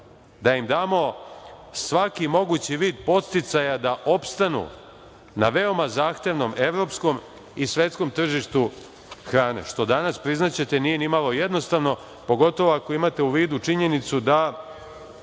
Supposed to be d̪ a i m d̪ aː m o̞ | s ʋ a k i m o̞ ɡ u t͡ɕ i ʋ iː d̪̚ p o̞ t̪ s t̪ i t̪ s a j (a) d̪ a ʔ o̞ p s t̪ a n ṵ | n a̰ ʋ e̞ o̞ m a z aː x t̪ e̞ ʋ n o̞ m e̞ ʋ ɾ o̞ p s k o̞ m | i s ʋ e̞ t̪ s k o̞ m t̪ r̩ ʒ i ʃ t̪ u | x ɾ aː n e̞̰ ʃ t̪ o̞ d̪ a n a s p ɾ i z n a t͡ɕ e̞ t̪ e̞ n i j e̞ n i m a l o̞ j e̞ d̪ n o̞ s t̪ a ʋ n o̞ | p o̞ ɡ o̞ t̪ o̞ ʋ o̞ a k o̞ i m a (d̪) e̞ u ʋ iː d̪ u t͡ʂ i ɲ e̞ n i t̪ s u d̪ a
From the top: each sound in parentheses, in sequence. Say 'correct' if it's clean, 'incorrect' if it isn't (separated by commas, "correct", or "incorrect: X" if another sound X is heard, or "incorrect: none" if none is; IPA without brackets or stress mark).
correct, incorrect: t̪